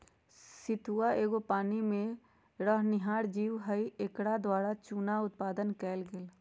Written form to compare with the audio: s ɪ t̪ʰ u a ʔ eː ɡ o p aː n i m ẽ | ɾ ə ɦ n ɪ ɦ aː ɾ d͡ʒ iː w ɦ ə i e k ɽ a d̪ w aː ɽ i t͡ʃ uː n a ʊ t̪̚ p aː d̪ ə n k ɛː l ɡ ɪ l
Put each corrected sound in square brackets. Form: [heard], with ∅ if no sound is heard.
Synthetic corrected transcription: s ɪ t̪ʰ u a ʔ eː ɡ o p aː n i m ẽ | ɾ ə ɦ n ɪ ɦ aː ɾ d͡ʒ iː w ɦ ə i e k ɽ a d̪ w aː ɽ [a] t͡ʃ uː n a ʊ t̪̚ p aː d̪ ə n k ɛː l ɡ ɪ l